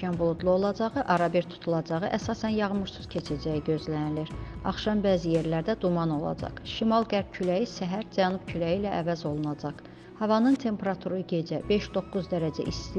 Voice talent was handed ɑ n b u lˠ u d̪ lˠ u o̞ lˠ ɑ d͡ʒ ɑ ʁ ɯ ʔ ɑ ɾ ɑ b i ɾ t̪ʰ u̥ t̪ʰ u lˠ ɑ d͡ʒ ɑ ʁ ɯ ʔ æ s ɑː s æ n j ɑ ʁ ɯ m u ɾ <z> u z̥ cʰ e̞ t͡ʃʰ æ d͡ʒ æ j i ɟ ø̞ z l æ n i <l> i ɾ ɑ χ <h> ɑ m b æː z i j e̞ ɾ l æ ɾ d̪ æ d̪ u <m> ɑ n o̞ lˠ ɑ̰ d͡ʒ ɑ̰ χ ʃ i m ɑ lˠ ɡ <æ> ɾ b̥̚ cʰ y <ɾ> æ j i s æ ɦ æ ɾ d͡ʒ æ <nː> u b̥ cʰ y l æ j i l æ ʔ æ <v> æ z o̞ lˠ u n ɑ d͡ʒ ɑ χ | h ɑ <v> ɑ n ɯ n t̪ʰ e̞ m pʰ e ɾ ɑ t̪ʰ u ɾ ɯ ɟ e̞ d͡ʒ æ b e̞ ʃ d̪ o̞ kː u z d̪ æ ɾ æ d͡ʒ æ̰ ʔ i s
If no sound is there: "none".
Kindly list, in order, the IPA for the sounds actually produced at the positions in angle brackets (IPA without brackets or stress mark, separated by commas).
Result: s, l, ʃ, m, æ, l, n, v, v